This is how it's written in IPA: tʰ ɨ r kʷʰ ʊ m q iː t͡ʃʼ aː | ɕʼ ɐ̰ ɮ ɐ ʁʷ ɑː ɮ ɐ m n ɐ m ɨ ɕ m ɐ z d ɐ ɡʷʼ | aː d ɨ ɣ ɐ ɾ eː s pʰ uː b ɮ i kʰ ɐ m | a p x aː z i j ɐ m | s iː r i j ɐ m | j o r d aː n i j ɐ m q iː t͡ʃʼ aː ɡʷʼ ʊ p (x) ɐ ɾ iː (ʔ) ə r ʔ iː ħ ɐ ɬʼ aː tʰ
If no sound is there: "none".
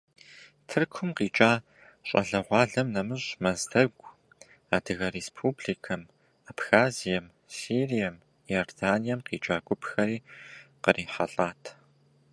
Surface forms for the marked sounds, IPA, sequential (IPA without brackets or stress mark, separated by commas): x, q